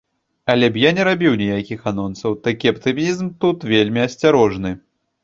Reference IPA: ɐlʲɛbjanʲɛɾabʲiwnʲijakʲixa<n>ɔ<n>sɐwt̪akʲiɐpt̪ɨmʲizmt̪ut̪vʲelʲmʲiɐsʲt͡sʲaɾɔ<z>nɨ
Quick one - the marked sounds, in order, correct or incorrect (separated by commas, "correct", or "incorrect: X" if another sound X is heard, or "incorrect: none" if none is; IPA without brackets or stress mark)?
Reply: correct, correct, incorrect: ʐ